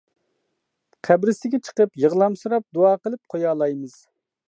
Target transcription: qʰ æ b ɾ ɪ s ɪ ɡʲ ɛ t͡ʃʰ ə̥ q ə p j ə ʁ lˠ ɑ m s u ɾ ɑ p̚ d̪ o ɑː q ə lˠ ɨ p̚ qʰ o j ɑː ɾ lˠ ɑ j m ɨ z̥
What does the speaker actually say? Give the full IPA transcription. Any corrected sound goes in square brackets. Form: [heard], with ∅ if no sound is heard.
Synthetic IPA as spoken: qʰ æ b ɾ ɪ s ɪ ɡʲ ɛ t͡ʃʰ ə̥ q ə p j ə ʁ lˠ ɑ m s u ɾ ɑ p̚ d̪ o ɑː q ə lˠ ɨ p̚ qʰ o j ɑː [∅] lˠ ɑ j m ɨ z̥

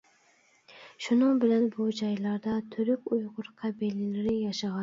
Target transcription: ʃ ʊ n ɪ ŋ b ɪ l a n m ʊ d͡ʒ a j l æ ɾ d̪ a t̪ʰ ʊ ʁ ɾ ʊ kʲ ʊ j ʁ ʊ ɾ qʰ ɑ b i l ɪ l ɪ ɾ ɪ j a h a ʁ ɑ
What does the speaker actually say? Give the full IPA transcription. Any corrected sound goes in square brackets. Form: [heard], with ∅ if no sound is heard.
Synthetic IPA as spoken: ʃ ʊ n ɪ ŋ b ɪ l a n [b] ʊ d͡ʒ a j l [a] ɾ d̪ a t̪ʰ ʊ [∅] ɾ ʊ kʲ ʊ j ʁ ʊ ɾ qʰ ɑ b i l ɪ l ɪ ɾ ɪ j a [ʃ] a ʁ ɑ

